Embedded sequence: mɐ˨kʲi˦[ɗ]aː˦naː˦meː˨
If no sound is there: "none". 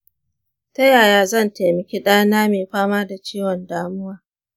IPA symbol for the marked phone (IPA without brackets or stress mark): ɗ